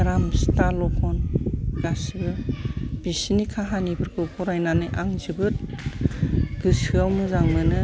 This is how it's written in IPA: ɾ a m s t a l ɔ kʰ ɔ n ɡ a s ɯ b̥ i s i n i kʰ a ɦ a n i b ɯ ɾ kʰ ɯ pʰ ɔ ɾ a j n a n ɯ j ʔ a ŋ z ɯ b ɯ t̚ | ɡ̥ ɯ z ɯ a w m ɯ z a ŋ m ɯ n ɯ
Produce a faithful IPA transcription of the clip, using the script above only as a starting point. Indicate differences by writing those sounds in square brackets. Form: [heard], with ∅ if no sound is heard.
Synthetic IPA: ɾ a m s t a l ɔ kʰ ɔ n ɡ a s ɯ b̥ i s i n i kʰ a ɦ a n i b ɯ ɾ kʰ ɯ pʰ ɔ ɾ a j n a n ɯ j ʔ a ŋ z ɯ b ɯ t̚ | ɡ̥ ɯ [s] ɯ a w m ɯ z a ŋ m ɯ n ɯ